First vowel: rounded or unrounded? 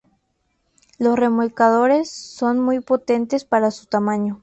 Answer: rounded